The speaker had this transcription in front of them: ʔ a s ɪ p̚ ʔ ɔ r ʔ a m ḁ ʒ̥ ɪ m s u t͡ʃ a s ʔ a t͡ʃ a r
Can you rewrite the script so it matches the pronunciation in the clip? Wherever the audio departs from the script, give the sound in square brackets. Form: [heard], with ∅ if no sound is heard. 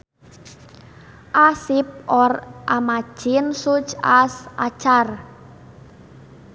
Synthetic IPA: ʔ a s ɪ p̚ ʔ ɔ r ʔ a m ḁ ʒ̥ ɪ [n] s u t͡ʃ a s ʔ a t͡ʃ a r